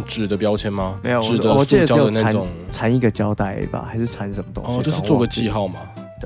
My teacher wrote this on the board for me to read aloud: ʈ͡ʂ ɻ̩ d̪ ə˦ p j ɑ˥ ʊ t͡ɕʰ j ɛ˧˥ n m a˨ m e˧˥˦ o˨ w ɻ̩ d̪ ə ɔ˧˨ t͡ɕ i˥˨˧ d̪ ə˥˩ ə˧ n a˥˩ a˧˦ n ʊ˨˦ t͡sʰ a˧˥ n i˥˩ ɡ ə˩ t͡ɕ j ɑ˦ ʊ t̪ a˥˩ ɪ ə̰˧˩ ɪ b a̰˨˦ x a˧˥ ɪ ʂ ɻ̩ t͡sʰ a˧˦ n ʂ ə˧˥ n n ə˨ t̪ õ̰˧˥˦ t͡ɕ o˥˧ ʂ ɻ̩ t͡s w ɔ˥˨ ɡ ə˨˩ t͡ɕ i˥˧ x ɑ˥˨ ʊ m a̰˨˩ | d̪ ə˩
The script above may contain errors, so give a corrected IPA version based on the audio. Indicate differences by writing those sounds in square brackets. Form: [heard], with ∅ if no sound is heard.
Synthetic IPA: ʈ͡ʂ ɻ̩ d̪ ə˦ p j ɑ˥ ʊ t͡ɕʰ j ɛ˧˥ n m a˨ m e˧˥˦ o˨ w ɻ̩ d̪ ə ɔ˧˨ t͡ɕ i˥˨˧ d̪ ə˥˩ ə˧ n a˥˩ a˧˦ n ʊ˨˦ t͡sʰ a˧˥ n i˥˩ ɡ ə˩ t͡ɕ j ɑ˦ ʊ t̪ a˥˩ ɪ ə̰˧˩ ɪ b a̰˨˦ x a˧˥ ɪ ʂ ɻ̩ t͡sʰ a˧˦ n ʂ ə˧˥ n [m] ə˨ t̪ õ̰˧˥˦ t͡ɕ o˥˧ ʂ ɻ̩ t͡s w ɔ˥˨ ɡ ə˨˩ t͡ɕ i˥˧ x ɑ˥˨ ʊ m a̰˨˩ | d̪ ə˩